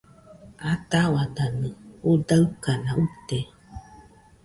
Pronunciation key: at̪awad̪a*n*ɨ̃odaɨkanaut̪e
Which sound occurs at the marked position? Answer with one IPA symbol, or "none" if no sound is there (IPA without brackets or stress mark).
n